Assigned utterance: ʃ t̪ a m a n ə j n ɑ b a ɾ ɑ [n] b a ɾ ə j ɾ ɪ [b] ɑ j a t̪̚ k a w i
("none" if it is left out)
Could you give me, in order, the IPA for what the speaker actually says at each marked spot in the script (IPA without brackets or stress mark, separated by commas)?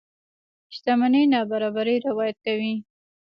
none, w